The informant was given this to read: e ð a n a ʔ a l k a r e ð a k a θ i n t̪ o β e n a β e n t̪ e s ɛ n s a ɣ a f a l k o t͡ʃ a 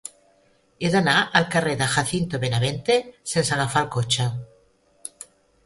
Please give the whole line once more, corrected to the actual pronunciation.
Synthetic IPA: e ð a n a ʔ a l k a r e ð a x a θ i n t̪ o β e n a β e n t̪ e s e n s a ɣ a f a l k o t͡ʃ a